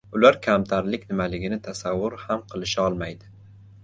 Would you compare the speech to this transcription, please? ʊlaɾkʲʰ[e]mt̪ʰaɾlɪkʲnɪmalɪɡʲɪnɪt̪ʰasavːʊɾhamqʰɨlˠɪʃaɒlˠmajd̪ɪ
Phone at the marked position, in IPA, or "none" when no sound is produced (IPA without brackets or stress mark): a